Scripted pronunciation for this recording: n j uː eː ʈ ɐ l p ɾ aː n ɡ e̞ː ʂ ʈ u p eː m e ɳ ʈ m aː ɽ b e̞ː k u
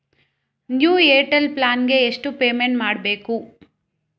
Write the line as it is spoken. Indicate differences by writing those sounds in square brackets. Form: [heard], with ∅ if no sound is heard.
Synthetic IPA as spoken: n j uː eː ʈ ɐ l p [l] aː n ɡ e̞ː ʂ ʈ u p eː m e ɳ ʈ m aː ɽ b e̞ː k u